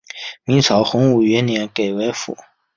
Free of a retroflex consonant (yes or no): yes